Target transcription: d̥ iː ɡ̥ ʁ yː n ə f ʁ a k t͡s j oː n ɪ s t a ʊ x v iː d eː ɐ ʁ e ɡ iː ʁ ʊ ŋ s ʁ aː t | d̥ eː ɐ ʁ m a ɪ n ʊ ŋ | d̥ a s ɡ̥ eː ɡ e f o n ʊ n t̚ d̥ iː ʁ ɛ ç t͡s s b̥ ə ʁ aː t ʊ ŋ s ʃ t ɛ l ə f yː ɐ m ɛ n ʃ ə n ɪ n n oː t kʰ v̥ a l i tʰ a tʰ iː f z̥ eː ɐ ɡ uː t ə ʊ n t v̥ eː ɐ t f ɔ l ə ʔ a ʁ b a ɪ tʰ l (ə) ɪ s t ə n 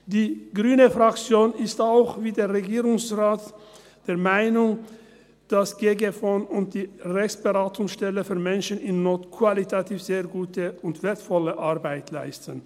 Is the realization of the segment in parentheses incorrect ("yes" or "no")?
yes